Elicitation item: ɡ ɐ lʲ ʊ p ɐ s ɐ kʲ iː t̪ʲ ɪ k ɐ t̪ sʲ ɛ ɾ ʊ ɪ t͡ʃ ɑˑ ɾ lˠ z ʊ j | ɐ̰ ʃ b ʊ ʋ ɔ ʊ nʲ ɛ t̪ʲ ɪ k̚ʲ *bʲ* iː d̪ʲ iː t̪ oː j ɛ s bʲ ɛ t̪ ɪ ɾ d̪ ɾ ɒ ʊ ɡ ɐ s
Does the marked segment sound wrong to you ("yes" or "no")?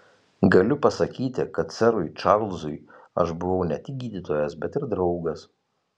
yes